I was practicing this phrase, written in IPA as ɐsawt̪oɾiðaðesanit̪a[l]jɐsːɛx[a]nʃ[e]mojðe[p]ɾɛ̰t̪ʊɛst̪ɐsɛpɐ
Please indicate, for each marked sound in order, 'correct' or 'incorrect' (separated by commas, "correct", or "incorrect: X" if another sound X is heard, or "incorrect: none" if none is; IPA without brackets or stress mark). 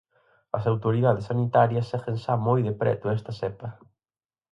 incorrect: ɾ, incorrect: e, incorrect: a, correct